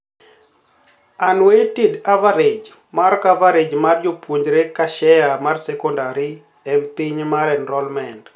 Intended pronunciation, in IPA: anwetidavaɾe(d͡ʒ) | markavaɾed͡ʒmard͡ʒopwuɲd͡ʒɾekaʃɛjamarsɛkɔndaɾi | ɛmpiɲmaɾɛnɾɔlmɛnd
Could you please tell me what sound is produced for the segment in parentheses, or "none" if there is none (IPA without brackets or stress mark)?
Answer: d͡ʒ